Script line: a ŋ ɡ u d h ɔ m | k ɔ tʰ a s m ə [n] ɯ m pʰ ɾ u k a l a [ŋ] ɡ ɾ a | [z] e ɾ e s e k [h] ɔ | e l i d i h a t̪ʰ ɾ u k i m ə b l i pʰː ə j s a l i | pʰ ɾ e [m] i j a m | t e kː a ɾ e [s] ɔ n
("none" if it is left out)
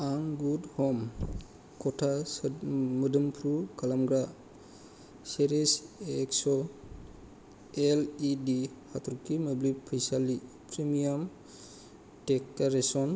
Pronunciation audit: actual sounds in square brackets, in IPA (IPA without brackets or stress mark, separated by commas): d, m, s, s, m, s